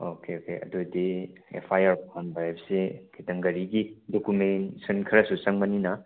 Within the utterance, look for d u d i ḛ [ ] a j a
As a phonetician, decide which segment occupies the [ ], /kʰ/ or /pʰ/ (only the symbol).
pʰ